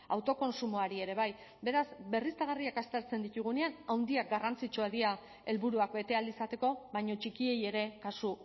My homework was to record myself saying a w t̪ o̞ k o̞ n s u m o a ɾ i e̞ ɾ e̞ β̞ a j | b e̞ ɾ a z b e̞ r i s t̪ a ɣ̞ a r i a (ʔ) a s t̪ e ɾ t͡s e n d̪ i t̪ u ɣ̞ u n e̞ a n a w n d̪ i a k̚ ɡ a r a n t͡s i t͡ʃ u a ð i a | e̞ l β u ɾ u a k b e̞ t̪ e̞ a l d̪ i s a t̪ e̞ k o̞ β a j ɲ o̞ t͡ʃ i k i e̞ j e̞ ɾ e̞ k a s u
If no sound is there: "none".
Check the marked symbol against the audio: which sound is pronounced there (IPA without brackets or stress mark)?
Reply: k